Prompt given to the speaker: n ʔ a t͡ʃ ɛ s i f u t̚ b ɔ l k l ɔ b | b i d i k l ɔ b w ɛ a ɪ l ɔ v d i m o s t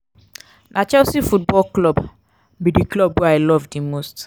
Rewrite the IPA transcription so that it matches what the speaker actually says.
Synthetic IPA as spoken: n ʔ a t͡ʃ ɛ s i f u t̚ b ɔ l k l ɔ b | b i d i k l ɔ b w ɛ a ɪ l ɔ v d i m o s t